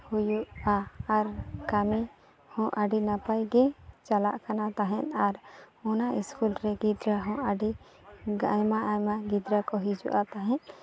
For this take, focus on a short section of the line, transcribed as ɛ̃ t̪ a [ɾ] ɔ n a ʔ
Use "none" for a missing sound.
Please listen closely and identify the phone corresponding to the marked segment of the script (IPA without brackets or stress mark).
ɾ